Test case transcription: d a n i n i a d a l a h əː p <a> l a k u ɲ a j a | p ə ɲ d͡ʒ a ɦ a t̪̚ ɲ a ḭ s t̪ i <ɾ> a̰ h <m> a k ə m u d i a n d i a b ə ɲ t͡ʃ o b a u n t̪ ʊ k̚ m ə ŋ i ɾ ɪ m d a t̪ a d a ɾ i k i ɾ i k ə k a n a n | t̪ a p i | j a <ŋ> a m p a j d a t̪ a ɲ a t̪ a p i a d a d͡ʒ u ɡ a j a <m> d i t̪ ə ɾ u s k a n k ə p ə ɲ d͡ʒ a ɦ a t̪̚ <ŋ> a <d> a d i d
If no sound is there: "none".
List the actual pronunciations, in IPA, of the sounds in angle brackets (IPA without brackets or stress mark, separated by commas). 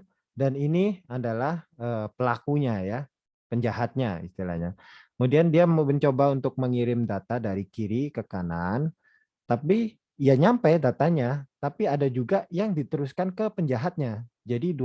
ə, l, ɲ, ɲ, ŋ, ɲ, d͡ʒ